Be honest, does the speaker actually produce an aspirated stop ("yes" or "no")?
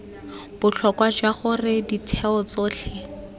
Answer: yes